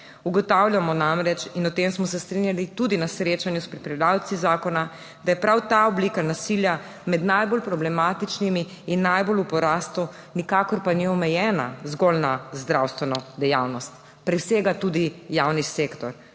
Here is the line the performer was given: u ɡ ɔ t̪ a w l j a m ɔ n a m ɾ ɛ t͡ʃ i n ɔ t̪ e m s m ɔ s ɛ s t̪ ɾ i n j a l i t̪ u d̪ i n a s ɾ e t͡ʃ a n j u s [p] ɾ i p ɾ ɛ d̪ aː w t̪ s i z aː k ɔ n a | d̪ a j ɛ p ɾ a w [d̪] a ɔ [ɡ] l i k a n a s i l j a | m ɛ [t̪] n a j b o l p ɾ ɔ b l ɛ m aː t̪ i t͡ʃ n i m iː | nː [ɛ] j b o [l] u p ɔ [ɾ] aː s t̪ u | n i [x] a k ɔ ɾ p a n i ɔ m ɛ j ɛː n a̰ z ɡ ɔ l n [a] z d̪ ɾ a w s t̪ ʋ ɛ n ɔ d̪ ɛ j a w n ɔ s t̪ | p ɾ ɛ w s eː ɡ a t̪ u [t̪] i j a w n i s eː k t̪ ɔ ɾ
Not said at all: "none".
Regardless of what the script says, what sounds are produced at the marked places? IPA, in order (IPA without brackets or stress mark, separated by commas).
p, t̪, b, d̪, a, l, ɾ, k, a, d̪